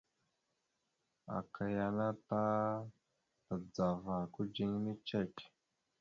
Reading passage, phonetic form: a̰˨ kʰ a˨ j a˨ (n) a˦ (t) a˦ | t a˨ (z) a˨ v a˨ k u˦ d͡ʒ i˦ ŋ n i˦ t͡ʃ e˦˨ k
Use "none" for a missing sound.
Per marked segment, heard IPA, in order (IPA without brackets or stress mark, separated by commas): n, t, d͡z